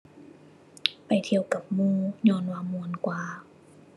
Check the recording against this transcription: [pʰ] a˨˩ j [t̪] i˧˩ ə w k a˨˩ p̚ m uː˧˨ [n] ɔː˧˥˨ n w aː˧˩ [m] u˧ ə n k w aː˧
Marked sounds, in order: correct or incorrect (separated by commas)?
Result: incorrect, incorrect, incorrect, correct